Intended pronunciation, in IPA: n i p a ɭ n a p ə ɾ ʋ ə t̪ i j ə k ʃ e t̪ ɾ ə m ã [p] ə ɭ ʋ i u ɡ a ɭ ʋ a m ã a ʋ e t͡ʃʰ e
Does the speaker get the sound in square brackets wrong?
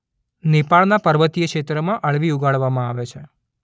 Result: yes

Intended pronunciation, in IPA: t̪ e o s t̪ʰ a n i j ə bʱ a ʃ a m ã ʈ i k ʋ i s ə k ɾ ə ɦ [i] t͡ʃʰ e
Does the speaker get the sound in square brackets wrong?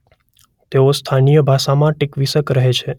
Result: yes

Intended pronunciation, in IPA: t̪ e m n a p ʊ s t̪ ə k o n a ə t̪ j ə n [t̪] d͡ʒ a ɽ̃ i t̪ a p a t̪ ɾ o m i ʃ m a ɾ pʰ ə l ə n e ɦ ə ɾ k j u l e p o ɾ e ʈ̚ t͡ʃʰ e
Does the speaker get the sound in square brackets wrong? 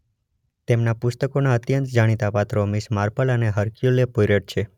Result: no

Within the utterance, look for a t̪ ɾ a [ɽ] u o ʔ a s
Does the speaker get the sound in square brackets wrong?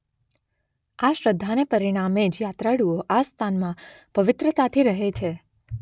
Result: no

